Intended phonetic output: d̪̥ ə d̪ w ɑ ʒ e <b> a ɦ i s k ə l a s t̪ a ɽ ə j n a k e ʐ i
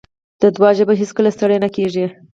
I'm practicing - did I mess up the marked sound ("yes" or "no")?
no